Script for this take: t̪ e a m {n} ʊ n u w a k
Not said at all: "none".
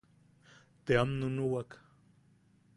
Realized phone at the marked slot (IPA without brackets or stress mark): n